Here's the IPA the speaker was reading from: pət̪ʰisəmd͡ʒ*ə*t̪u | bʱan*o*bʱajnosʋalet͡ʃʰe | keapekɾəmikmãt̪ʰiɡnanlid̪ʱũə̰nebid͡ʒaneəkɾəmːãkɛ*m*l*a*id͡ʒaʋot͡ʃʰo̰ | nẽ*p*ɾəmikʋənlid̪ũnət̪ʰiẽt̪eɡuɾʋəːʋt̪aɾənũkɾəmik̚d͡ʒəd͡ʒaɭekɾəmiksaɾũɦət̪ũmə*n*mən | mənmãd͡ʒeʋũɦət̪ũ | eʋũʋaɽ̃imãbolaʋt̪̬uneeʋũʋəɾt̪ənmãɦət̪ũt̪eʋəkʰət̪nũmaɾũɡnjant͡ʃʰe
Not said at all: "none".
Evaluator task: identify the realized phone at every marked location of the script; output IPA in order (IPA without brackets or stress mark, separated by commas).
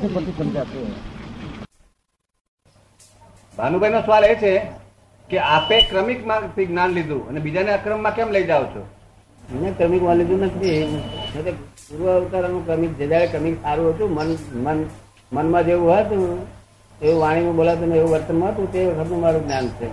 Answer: a, u, m, ə, k, n